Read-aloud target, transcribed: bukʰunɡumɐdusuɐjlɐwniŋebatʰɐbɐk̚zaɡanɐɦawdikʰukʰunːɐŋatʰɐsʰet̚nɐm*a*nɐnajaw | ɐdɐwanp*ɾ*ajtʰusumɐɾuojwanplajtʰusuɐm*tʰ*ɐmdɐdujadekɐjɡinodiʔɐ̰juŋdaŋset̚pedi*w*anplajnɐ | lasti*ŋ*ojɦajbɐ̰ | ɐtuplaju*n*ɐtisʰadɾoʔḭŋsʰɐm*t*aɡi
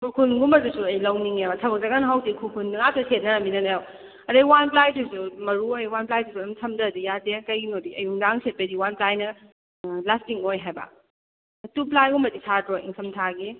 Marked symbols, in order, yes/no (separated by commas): no, no, yes, yes, yes, no, no